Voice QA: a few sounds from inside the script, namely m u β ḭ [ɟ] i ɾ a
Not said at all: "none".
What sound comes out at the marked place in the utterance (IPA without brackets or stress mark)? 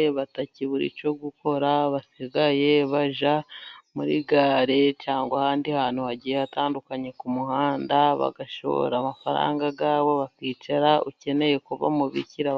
c